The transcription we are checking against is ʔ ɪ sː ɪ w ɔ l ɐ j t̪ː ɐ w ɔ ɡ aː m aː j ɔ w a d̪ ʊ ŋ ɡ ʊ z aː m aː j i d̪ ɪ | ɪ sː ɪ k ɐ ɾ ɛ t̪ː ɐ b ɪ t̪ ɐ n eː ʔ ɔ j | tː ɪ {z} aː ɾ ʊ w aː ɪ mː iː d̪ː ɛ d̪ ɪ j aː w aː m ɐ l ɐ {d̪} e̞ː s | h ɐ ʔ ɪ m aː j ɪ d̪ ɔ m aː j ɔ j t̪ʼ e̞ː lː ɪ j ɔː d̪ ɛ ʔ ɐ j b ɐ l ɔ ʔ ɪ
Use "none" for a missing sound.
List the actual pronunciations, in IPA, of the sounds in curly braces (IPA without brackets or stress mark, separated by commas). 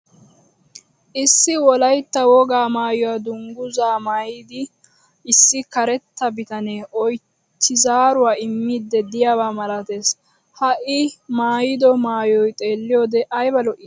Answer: z, t̪